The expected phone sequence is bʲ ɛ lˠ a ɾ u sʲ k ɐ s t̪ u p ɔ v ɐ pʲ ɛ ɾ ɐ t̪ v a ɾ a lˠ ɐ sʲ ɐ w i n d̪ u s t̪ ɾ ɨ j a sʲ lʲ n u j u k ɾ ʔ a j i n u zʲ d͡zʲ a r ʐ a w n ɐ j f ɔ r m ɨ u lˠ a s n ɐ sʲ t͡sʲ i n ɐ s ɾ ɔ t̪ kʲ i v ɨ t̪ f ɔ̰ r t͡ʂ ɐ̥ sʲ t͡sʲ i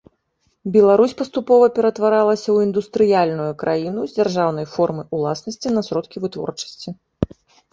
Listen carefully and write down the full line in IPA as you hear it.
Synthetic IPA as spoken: bʲ ɛ lˠ a ɾ u sʲ p ɐ s t̪ u p ɔ v ɐ pʲ ɛ ɾ ɐ t̪ v a ɾ a lˠ ɐ sʲ ɐ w i n d̪ u s t̪ ɾ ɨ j a lʲ n u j u k ɾ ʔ a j i n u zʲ d͡zʲ a r ʐ a w n ɐ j f ɔ r m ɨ u lˠ a s n ɐ sʲ t͡sʲ i n ɐ s ɾ ɔ t̪ kʲ i v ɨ t̪ v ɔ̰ r t͡ʂ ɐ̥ sʲ t͡sʲ i